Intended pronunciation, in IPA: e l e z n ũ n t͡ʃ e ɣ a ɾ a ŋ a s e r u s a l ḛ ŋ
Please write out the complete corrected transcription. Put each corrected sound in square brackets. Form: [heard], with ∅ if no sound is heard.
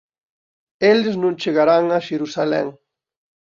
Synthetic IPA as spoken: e l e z n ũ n t͡ʃ e ɣ a ɾ a ŋ a [ʃ] e [ɾ] u s a l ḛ ŋ